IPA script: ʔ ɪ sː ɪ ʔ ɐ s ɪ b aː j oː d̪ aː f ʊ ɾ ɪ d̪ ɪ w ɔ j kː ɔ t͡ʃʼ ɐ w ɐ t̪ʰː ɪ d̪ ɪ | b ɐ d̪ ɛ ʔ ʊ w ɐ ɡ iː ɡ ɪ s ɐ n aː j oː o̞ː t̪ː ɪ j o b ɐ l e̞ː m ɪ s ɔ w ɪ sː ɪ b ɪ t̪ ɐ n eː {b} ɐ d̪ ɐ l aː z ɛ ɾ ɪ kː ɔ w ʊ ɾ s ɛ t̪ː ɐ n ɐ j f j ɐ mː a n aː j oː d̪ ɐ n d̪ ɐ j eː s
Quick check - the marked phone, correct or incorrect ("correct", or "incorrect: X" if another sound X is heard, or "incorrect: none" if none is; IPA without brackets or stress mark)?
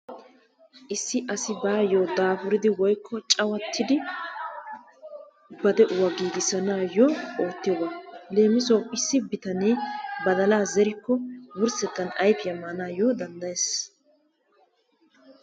correct